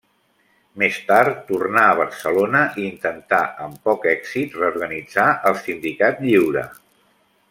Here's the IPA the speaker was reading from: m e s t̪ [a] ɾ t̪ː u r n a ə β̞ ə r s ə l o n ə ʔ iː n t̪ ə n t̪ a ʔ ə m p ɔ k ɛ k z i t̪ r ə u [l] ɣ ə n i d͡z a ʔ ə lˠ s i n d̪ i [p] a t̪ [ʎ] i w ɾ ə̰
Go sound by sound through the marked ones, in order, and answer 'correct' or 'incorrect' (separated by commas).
correct, incorrect, incorrect, correct